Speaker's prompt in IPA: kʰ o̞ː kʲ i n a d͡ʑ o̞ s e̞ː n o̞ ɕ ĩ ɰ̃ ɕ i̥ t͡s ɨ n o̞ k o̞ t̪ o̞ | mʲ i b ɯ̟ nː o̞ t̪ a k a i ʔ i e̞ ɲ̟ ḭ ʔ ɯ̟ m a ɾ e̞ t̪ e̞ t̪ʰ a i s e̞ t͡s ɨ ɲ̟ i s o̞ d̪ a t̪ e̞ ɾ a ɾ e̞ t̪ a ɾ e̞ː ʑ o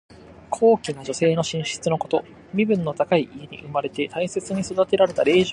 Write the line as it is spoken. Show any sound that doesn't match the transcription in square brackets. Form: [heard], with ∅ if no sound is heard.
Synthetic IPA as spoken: kʰ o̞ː kʲ i n a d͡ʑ o̞ s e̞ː n o̞ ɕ ĩ ɰ̃ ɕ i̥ t͡s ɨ n o̞ k o̞ t̪ o̞ | mʲ i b [ɯ̟̃] nː o̞ t̪ a k a i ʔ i e̞ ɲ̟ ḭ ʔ ɯ̟ m a ɾ e̞ t̪ e̞ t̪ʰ a i s e̞ t͡s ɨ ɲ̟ i s o̞ d̪ a t̪ e̞ ɾ a ɾ e̞ t̪ a ɾ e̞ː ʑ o